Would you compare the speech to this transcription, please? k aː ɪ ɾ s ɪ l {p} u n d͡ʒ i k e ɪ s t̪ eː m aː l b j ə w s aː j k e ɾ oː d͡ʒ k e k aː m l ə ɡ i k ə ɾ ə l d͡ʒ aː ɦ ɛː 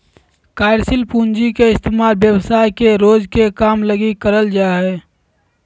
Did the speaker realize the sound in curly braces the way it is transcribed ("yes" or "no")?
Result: yes